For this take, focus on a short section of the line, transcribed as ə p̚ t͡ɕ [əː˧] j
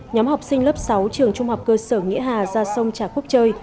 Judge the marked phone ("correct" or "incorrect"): correct